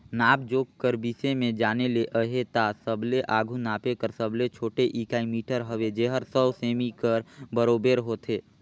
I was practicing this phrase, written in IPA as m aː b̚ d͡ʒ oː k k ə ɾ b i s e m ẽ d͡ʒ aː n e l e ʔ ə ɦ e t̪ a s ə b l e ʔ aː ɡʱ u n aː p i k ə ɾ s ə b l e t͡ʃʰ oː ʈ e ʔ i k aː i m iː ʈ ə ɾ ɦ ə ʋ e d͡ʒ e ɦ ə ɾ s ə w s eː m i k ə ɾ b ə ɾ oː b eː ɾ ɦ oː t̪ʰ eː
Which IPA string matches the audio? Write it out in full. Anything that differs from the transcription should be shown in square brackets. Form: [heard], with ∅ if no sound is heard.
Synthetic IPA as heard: [n] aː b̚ d͡ʒ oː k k ə ɾ b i s e m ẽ d͡ʒ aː n e l e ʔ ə ɦ e t̪ a s ə b l e ʔ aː ɡʱ u n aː p [e] k ə ɾ s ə b l e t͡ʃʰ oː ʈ e ʔ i k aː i m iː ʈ ə ɾ ɦ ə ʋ e d͡ʒ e ɦ ə ɾ s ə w s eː m i k ə ɾ b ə ɾ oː b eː ɾ ɦ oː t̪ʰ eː